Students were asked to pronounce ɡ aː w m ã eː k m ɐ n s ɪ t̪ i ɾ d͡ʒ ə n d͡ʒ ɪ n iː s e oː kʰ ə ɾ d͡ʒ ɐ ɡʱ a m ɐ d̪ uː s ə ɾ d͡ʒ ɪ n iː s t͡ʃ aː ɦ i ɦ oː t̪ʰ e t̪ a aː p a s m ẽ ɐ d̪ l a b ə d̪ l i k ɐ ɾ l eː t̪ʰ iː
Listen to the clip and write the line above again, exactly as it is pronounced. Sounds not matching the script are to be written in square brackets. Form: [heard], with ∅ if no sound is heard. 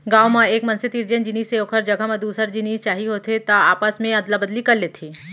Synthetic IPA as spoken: ɡ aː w m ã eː k m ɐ n s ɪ t̪ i ɾ d͡ʒ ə n d͡ʒ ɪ n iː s e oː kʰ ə ɾ d͡ʒ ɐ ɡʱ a m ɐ d̪ uː s ə ɾ d͡ʒ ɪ n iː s t͡ʃ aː ɦ i ɦ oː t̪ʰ e t̪ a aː p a s m ẽ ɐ d̪ l a b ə d̪ l i k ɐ ɾ l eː t̪ʰ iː